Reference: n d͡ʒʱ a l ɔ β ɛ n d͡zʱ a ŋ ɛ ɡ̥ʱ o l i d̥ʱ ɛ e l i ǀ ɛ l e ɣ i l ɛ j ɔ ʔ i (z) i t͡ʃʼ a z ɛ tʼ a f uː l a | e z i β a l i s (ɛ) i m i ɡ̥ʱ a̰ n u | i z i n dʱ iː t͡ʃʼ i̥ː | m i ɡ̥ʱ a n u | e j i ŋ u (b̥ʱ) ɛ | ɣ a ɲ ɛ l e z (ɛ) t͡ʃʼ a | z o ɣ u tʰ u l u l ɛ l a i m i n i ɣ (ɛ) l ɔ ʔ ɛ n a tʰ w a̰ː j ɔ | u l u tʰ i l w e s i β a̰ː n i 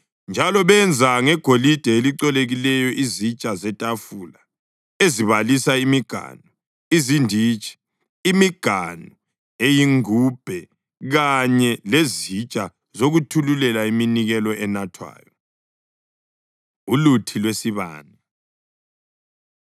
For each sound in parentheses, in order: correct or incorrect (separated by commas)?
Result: correct, incorrect, correct, incorrect, correct